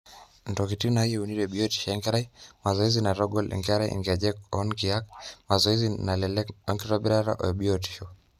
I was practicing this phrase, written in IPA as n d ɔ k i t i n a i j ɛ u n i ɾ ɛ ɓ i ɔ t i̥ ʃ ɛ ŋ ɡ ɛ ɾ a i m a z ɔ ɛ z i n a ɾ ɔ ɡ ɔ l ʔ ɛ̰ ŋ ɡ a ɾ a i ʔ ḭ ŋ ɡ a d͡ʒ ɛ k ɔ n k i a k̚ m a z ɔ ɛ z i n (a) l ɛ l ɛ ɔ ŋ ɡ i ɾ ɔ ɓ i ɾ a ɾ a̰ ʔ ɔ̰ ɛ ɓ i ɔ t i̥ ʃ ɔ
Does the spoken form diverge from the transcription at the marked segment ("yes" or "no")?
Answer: no